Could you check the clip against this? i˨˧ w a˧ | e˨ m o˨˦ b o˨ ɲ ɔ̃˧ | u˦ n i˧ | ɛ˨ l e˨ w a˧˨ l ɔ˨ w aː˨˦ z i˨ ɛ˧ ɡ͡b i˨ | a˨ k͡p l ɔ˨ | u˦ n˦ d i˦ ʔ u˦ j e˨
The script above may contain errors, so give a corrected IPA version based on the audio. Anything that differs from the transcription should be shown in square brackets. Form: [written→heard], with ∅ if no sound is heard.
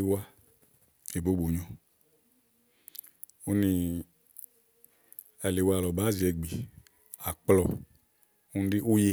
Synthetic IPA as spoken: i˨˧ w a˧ | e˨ [m→b] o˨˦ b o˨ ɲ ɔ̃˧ | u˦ n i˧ | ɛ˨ l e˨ w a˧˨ l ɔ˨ [w→b] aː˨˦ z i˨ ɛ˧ ɡ͡b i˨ | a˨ k͡p l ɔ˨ | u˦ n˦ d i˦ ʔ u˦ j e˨